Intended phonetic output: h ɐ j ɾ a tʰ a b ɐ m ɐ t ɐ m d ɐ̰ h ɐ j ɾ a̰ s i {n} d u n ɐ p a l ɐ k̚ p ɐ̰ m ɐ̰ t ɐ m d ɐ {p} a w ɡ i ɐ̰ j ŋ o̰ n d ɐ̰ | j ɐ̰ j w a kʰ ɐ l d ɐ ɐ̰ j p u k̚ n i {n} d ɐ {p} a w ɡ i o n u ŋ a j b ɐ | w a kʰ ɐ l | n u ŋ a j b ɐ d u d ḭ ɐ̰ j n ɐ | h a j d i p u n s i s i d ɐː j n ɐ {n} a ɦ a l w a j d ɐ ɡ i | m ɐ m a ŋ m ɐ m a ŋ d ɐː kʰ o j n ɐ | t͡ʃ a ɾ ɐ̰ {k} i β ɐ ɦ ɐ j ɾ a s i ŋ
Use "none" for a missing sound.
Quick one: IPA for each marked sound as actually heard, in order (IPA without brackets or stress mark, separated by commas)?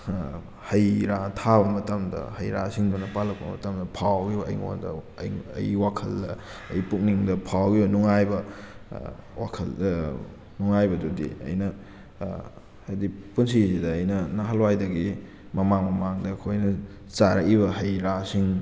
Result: ŋ, pʰ, ŋ, pʰ, n, k